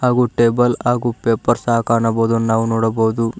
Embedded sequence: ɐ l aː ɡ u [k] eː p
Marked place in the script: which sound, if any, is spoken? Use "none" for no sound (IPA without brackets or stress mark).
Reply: p